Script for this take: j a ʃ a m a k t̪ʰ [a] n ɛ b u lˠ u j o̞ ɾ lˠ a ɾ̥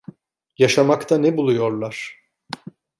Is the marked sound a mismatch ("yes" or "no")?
no